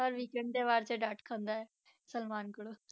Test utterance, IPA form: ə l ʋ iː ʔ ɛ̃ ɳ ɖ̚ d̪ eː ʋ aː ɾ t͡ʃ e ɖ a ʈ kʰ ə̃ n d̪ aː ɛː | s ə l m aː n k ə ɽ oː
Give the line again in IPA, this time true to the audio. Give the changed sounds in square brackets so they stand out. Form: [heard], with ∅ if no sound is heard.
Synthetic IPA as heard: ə [ɾ] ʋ iː [k] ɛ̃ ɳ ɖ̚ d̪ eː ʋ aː ɾ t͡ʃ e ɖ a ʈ kʰ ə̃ n d̪ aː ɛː | s ə l m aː n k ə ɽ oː